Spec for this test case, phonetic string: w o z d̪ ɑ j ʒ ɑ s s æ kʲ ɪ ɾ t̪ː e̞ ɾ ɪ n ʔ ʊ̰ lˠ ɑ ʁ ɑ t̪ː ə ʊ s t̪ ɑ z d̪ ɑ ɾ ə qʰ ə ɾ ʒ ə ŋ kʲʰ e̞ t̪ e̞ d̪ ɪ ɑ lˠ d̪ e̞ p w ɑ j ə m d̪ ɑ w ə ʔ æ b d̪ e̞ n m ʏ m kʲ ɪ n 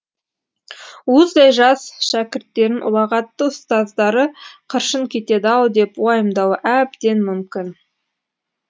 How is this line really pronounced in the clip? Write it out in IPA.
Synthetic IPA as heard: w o z d̪ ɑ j ʒ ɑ s ʃ æ kʲ ɪ ɾ t̪ː e̞ ɾ ɪ n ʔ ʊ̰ lˠ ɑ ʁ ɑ t̪ː ə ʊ s t̪ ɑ z d̪ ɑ ɾ ə qʰ ə ɾ ʃ ə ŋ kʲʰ e̞ t̪ e̞ d̪ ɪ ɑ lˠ d̪ e̞ p w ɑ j ə m d̪ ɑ w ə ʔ æ b d̪ e̞ n m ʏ m kʲ ɪ n